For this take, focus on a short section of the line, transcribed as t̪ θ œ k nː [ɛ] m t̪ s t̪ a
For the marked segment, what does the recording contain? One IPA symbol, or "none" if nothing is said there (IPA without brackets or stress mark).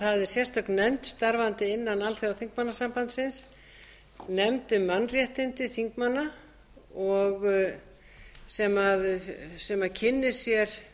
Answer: ɛ